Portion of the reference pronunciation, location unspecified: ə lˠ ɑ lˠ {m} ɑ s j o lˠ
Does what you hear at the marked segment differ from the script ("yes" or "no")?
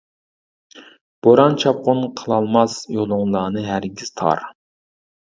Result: no